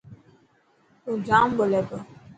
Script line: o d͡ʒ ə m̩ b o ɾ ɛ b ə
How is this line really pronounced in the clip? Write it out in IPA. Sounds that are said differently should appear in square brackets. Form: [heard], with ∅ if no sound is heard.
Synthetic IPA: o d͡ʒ [a] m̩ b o [l] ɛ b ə